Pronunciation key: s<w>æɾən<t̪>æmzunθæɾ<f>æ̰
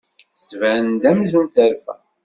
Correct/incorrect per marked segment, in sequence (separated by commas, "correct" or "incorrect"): incorrect, incorrect, correct